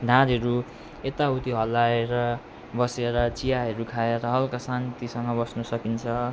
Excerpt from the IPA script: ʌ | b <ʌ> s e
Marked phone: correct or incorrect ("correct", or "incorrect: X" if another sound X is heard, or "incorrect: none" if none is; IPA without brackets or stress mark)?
correct